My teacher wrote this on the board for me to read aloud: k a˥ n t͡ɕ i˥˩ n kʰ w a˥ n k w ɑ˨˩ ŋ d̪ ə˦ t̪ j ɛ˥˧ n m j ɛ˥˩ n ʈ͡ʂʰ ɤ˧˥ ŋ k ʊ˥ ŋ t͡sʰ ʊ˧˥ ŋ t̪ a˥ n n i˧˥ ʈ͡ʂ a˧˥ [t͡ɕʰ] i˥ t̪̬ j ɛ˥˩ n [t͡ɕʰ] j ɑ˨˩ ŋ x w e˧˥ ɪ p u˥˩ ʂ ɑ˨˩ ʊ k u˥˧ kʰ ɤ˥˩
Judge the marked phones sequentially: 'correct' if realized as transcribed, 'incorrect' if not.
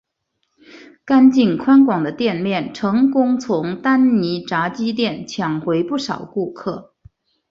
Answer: incorrect: t͡ɕ, correct

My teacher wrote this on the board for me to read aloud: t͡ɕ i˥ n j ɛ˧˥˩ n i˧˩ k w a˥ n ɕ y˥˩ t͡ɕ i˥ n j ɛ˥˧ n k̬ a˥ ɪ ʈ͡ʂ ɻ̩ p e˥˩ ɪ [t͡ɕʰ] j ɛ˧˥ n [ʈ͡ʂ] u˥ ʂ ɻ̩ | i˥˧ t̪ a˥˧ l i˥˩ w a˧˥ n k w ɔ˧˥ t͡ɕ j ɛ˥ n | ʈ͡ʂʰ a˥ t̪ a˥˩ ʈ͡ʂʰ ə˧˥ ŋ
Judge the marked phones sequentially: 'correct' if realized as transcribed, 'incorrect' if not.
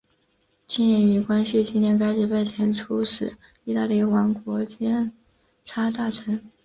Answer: correct, incorrect: ʈ͡ʂʰ

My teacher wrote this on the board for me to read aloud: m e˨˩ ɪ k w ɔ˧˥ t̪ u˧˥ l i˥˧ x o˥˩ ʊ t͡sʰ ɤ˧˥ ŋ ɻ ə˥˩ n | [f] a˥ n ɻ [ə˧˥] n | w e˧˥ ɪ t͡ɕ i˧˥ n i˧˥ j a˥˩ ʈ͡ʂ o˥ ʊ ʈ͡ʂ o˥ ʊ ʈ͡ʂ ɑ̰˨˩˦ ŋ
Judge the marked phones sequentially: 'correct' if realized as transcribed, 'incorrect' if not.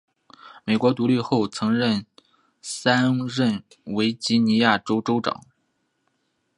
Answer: incorrect: s, incorrect: ə˥˩

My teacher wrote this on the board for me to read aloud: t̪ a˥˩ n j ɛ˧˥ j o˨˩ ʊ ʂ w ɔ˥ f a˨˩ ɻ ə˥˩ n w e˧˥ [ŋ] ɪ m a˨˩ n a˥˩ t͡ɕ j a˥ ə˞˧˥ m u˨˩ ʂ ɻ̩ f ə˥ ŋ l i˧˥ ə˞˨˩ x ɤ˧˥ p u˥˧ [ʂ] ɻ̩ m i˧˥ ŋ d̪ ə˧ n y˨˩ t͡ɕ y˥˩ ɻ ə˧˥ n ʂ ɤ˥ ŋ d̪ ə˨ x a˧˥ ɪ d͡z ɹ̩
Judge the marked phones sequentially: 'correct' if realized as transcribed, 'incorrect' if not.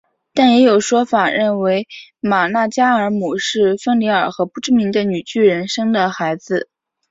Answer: incorrect: none, incorrect: ʈ͡ʂ

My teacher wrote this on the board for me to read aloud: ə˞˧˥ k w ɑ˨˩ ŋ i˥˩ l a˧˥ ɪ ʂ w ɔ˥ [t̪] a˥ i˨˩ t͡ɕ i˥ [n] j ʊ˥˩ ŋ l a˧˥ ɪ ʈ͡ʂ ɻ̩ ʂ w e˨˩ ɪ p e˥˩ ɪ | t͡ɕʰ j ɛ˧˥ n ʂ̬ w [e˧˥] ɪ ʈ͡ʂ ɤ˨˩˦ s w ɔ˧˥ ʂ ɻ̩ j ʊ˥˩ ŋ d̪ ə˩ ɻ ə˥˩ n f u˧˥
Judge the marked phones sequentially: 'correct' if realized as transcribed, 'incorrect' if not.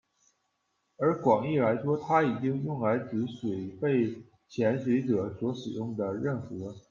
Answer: incorrect: t̪ʰ, incorrect: ŋ, correct

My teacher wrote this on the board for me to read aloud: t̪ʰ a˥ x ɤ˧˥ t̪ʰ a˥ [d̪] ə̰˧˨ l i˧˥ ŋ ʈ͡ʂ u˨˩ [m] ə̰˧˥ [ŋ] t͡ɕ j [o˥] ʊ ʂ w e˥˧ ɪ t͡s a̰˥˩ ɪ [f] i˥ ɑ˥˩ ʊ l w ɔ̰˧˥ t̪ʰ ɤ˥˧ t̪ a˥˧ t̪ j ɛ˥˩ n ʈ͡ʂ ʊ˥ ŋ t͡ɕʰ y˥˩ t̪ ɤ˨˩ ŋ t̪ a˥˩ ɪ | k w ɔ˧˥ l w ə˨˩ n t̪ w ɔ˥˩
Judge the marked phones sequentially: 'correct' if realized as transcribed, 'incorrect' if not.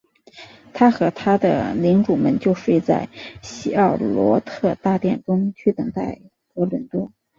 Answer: correct, correct, incorrect: n, incorrect: o˥˧, incorrect: ɕ

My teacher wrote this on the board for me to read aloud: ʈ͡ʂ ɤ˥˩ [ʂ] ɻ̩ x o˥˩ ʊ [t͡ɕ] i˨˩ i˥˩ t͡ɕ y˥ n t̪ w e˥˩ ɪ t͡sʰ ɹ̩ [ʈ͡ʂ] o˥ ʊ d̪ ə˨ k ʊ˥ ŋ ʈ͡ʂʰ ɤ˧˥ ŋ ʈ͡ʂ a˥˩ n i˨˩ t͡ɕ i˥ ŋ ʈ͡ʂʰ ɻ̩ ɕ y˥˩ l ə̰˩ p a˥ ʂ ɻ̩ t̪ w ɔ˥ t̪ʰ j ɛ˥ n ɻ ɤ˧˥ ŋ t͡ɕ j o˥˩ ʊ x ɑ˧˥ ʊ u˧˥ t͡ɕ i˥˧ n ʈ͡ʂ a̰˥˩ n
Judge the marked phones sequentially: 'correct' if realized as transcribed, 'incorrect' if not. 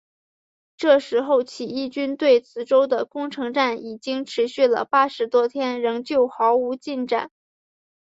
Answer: correct, incorrect: t͡ɕʰ, correct

